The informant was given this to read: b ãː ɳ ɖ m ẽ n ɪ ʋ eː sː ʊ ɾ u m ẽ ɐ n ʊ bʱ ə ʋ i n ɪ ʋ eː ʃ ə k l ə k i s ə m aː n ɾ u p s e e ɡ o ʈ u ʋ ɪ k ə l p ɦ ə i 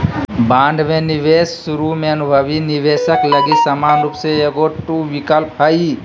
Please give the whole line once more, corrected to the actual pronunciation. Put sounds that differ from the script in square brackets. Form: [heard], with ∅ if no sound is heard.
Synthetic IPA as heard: b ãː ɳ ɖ m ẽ n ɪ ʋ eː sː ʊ ɾ u m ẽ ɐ n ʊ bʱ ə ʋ i n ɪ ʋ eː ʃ ə k l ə [ɡ] i s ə m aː n ɾ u p s e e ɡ o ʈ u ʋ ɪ k ə l p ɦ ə i

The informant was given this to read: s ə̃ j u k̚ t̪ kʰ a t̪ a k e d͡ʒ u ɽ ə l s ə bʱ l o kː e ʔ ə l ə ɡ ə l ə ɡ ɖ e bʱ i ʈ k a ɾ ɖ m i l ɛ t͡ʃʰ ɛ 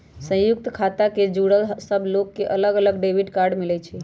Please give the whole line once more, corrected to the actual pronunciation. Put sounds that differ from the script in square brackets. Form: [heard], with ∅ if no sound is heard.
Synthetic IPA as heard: s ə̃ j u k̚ t̪ kʰ a t̪ a k e d͡ʒ u ɽ ə l s ə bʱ l o kː e ʔ ə l ə ɡ ə l ə ɡ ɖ e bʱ i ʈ k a ɾ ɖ m i l ɛ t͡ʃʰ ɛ

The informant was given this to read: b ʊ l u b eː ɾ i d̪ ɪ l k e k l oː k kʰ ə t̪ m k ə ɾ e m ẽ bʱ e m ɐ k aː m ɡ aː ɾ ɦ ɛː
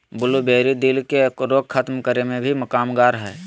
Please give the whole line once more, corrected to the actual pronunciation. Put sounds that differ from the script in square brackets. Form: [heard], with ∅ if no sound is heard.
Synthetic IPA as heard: b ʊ l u b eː ɾ i d̪ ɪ l k e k [ɾ] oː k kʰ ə t̪ m k ə ɾ e m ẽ bʱ [i] m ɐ k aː m ɡ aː ɾ ɦ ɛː

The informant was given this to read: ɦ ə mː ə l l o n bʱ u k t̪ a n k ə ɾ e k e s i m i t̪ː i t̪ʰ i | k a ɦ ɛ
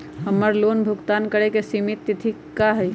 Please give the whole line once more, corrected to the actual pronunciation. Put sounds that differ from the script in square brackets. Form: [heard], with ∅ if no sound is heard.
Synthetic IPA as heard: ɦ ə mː ə [ɾ] l o n bʱ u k t̪ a n k ə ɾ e k e s i m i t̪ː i t̪ʰ i | k a ɦ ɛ

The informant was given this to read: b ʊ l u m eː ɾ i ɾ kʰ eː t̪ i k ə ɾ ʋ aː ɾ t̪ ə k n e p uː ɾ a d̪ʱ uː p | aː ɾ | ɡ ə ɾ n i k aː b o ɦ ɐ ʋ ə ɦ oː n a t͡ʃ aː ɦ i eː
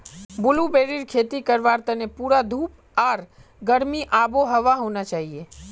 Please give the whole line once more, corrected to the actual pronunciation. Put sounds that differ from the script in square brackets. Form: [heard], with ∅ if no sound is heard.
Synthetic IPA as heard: b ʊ l u [b] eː ɾ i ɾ kʰ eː t̪ i k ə ɾ ʋ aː ɾ t̪ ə [∅] n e p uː ɾ a d̪ʱ uː p | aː ɾ | ɡ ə ɾ [m] i [ʔ] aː b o ɦ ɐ ʋ [a] ɦ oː n a t͡ʃ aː ɦ i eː

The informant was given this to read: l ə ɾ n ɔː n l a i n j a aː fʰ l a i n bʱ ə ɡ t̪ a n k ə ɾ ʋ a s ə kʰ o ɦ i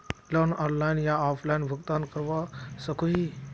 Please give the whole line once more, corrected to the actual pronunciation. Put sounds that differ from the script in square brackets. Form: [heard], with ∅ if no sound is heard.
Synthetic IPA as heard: l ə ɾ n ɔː n l a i n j a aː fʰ l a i n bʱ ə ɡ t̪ a n k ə ɾ ʋ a s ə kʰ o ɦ i

